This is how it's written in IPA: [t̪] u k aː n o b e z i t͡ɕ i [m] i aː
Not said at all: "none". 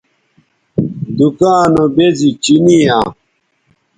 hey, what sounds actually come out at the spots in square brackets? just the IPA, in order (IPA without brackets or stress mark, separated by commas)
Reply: d̪, n